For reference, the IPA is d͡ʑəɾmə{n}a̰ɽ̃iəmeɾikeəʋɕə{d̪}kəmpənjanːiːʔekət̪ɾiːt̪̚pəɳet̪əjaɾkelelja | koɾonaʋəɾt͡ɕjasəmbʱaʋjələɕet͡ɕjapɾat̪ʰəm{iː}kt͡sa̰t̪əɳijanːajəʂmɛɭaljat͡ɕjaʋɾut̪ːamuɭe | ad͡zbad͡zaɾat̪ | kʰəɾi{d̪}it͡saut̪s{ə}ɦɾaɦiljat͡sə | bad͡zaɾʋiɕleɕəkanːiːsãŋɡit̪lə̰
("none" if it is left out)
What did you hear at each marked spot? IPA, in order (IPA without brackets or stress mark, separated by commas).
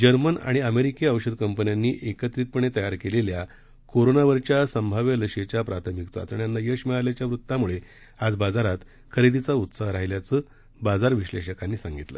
n, d̪, i, d̪, a